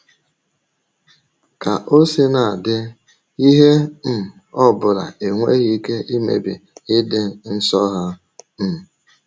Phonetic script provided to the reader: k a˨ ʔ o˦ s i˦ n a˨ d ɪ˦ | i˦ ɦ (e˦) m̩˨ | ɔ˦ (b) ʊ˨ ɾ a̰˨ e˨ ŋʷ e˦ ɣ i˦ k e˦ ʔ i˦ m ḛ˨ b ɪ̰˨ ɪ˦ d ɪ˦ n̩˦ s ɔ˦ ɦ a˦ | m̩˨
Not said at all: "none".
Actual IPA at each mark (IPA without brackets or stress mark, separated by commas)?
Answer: e˦, b